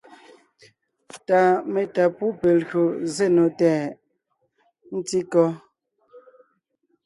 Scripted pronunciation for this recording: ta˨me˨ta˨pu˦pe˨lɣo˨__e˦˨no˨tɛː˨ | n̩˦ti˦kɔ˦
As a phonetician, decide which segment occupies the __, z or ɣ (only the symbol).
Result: z